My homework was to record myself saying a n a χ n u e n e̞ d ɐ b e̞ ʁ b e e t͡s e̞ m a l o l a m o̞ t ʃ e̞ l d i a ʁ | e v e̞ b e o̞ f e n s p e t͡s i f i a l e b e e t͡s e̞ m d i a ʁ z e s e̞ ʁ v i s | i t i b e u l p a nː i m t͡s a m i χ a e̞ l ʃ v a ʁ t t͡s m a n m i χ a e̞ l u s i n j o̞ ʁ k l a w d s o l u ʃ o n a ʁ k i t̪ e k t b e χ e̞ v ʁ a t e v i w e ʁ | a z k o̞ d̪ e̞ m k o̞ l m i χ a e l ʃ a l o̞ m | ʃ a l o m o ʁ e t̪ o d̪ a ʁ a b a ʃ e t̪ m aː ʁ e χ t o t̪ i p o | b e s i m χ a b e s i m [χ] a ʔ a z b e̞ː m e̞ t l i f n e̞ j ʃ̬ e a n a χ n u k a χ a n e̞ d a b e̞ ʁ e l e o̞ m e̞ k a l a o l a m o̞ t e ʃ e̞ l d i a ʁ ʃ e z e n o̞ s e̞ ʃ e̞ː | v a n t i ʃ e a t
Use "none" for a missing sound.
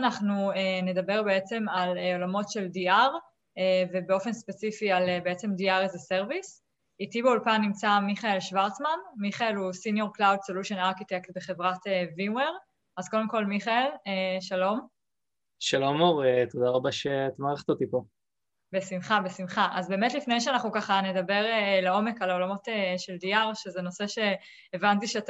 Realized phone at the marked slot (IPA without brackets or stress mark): χ